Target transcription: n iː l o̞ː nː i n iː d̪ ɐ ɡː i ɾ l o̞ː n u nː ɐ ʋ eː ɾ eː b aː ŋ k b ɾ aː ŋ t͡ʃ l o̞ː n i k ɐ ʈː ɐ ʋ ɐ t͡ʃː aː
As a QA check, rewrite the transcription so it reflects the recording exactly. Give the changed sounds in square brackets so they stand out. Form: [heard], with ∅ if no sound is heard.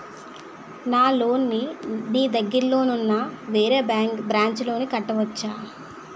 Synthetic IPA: n [aː] l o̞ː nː i n iː d̪ ɐ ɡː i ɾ l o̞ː n u nː ɐ ʋ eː ɾ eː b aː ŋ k b ɾ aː [ɲ] t͡ʃ l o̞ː n i k ɐ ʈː ɐ ʋ ɐ t͡ʃː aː